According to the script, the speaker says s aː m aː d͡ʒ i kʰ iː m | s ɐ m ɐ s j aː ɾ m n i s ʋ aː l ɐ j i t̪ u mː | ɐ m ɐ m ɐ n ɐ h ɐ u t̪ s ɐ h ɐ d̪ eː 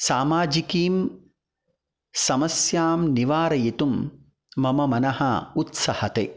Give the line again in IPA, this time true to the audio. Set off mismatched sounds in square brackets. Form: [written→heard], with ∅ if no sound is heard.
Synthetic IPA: s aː m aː d͡ʒ i [kʰ→k] iː m | s ɐ m ɐ s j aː [ɾ→∅] m n i [s→∅] ʋ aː [l→ɾ] ɐ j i t̪ u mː | ɐ m ɐ m ɐ n ɐ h ɐ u t̪ s ɐ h ɐ [d̪→t̪] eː

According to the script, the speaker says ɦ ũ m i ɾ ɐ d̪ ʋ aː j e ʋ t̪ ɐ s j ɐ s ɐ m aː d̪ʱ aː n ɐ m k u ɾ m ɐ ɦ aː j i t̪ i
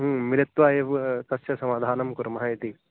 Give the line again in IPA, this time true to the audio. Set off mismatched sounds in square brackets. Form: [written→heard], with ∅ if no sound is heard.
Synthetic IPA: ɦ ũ m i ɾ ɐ [d̪→t̪] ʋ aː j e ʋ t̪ ɐ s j ɐ s ɐ m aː d̪ʱ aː n ɐ m k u ɾ m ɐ ɦ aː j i t̪ i

